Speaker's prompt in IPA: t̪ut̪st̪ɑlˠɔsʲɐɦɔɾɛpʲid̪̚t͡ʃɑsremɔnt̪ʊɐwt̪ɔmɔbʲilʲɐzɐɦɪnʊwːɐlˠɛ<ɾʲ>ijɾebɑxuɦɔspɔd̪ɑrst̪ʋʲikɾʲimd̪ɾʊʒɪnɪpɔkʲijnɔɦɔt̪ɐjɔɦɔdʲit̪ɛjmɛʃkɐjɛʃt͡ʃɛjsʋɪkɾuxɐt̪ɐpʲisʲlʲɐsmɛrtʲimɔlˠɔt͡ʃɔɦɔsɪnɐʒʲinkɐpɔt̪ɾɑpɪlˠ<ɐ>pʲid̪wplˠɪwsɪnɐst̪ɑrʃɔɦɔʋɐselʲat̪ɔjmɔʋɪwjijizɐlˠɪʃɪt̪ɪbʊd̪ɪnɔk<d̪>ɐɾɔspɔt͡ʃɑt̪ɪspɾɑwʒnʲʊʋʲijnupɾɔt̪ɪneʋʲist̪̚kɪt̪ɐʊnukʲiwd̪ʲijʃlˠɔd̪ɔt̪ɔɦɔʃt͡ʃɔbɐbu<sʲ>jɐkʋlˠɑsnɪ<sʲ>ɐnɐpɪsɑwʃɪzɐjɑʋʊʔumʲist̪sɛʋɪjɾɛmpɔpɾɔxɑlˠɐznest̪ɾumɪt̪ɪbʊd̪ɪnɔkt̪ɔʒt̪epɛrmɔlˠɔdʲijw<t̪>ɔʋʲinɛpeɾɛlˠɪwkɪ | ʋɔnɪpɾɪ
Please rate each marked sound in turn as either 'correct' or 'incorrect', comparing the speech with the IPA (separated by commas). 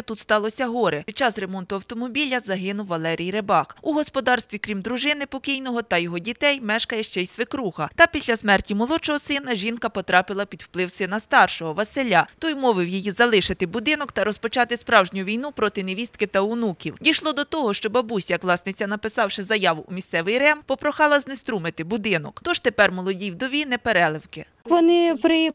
correct, correct, incorrect, correct, incorrect, incorrect